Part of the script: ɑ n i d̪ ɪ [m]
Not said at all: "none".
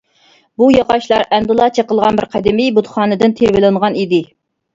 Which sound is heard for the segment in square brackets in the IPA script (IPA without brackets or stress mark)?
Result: none